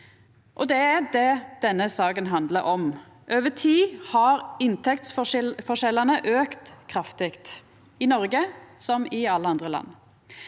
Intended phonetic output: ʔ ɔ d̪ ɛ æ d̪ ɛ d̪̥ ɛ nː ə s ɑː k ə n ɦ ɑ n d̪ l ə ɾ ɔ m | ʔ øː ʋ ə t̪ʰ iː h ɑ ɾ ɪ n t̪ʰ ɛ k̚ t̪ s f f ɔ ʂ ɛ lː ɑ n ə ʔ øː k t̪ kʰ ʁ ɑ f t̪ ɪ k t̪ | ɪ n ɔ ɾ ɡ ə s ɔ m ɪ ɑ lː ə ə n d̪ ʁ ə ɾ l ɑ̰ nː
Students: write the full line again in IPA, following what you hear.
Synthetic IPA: ʔ ɔ d̪ ɛ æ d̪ ɛ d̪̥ ɛ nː ə s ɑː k ə n ɦ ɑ n d̪ l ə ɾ ɔ m | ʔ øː ʋ ə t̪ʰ iː h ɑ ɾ ɪ n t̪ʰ ɛ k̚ t̪ s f f ɔ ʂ ɛ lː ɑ n ə ʔ øː k t̪ kʰ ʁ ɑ f t̪ ɪ k t̪ | ɪ n ɔ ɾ ɡ ə s ɔ m ɪ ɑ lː ə ɑ n d̪ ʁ ə l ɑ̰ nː